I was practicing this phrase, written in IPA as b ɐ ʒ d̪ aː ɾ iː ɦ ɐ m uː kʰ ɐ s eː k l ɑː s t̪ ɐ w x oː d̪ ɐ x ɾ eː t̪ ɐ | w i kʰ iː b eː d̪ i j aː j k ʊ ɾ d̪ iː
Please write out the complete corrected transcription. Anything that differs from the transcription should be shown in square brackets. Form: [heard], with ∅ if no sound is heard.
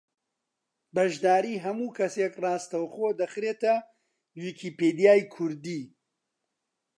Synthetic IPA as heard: b ɐ ʒ d̪ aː ɾ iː ɦ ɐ m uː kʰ ɐ s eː k [r] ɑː s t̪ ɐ w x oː d̪ ɐ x ɾ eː t̪ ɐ | w i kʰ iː [p] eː d̪ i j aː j [kʰ] ʊ ɾ d̪ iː

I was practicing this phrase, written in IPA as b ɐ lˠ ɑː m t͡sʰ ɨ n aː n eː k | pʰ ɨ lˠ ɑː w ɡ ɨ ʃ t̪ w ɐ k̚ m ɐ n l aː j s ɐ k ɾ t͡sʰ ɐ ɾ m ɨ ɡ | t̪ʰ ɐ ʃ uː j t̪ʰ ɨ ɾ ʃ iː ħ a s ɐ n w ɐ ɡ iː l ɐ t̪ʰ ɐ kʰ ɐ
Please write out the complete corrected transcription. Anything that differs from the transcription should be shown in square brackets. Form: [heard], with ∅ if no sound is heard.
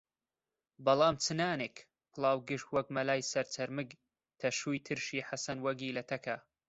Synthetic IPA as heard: b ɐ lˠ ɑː m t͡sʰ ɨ n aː n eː k | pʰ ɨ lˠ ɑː w ɡ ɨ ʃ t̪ w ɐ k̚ m ɐ [∅] l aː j s ɐ [∅] ɾ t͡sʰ ɐ ɾ m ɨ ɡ | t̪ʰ ɐ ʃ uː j t̪ʰ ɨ ɾ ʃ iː ħ a s ɐ n w ɐ ɡ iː l ɐ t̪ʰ ɐ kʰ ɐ

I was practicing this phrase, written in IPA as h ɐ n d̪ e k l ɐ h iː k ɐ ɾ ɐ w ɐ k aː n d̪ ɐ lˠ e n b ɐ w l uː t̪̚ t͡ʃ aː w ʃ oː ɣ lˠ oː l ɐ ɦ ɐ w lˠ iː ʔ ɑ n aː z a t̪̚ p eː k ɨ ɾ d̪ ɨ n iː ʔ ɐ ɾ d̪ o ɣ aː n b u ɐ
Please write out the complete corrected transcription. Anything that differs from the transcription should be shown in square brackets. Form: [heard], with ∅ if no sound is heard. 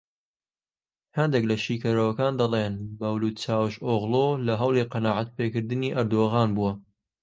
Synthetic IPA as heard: h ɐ n d̪ e k l ɐ [ʃ] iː k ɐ ɾ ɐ w ɐ k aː n d̪ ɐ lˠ e n b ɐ w l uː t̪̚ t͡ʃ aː w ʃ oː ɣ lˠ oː l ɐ ɦ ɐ w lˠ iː [q] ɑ n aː [ʕ] a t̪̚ p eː k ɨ ɾ d̪ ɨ n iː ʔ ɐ ɾ d̪ o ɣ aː n b u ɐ

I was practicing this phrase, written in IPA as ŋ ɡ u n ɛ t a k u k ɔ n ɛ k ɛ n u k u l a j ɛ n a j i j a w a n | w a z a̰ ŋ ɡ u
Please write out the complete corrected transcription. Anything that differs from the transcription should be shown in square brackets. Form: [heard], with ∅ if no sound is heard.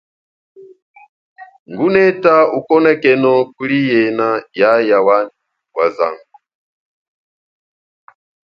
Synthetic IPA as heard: ŋ ɡ u n ɛ t a [∅] u k ɔ n ɛ k ɛ n [ɔ] k u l [i] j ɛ n a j [a] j a w a n | w a z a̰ ŋ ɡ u

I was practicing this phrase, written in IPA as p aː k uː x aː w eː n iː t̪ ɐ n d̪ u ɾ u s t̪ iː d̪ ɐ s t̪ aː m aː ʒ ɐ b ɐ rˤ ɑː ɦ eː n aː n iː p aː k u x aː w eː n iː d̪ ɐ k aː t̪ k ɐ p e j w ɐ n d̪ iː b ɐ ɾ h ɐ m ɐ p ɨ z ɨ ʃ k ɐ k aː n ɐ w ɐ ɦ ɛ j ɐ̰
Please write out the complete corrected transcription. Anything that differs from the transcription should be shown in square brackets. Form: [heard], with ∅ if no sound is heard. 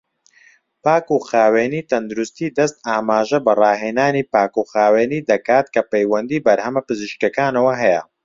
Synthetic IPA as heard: p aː k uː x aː w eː n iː t̪ ɐ n d̪ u ɾ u s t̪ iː d̪ ɐ s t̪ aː m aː ʒ ɐ b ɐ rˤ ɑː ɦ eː n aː n iː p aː k u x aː w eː n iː d̪ ɐ k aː t̪ k ɐ p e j w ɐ n d̪ iː b ɐ ɾ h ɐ m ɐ p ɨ z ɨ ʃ k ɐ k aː n ɐ w ɐ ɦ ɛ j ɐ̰

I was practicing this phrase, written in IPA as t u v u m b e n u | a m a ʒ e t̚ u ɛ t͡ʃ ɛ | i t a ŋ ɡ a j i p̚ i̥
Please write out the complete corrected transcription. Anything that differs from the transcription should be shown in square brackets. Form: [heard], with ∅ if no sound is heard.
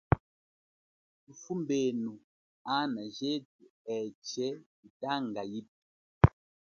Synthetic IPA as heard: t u [f] u m b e n u | a [n] a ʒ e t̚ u ɛ t͡ʃ ɛ | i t a ŋ ɡ a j i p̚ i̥

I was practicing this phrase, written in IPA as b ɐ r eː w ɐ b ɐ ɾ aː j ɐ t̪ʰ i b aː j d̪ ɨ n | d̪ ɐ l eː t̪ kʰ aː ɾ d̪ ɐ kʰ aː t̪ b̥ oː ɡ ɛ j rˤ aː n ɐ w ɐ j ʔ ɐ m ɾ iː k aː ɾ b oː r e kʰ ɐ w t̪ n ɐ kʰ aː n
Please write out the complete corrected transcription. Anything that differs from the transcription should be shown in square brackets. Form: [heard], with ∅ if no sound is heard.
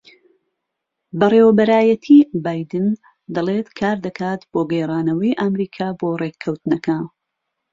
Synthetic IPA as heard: b ɐ r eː w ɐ b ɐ ɾ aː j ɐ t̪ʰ i b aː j d̪ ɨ n | d̪ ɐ l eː t̪ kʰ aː ɾ d̪ ɐ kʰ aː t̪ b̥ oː ɡ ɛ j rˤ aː n ɐ w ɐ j ʔ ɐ m ɾ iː [kʰ] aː [∅] b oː r e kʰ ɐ w t̪ n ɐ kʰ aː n

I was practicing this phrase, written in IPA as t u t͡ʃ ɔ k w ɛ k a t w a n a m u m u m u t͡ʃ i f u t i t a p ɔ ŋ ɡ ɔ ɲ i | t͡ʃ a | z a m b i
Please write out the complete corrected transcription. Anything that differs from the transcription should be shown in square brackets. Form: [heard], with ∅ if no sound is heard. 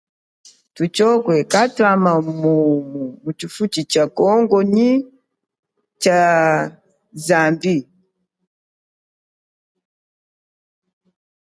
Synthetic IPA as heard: t u t͡ʃ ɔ k w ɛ k a t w a [m] a m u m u m u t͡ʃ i f u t i [t͡ʃ] a [k] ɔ ŋ ɡ ɔ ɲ i | t͡ʃ a | z a m b i

